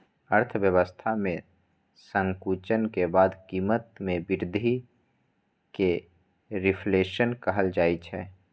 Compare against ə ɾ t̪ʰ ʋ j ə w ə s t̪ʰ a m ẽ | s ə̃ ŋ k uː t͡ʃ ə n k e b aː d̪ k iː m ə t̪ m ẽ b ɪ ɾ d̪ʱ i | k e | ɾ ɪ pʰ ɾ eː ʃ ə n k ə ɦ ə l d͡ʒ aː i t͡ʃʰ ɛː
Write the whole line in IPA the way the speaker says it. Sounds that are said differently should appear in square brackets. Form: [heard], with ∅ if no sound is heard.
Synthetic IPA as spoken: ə ɾ t̪ʰ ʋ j ə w ə s t̪ʰ a m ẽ | s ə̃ ŋ k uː t͡ʃ ə n k e b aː d̪ k iː m ə t̪ m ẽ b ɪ ɾ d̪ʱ i | k e | ɾ ɪ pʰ [l] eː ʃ ə n k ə ɦ ə l d͡ʒ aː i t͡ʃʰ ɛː